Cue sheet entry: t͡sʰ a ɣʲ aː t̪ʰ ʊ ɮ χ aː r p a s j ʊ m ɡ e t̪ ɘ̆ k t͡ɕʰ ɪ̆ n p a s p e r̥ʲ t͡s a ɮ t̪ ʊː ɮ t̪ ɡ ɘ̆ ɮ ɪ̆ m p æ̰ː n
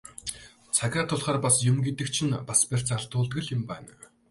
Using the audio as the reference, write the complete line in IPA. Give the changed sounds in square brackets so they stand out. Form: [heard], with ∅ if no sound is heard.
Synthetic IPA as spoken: t͡sʰ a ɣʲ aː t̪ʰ ʊ ɮ χ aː r p a s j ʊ m ɡ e t̪ ɘ̆ k t͡ɕʰ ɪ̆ n p a s p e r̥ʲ t͡s a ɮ t̪ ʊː ɮ t̪ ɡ ɘ̆ ɮ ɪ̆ m p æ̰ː n